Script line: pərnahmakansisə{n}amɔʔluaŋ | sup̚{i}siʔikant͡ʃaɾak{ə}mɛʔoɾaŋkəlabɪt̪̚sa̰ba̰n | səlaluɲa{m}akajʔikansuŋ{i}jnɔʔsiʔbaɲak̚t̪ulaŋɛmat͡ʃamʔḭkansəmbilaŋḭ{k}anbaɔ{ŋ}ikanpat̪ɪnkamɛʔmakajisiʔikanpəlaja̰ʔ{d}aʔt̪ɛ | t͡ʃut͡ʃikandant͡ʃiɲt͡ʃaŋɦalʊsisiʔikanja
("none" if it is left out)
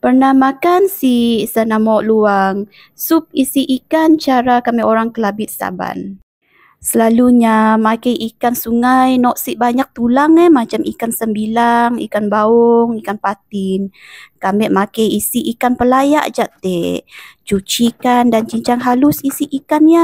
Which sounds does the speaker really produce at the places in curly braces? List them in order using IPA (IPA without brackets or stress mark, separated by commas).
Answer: n, i, a, m, a, k, ŋ, d͡ʒ